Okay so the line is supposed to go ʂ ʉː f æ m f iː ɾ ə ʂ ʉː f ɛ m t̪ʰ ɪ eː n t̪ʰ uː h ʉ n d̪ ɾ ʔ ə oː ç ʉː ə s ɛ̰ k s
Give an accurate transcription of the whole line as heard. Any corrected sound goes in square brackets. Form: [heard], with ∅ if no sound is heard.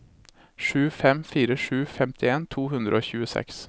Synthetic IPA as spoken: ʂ ʉː f [ɛ] m f iː ɾ ə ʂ ʉː f ɛ m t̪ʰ ɪ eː n t̪ʰ uː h ʉ n d̪ ɾ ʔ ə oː ç ʉː ə s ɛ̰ k s